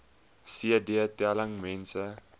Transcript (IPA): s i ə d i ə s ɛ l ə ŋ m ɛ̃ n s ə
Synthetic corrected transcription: s i ə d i ə t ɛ l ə ŋ m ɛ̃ n s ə